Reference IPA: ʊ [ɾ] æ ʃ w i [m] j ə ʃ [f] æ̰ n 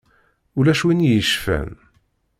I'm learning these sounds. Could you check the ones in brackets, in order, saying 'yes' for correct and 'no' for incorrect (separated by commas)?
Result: no, no, yes